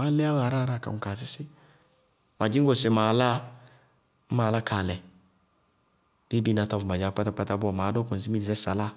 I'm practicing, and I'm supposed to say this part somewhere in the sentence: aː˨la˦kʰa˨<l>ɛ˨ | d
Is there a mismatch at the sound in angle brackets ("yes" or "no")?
no